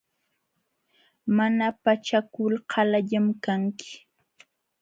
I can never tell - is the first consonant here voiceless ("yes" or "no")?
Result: no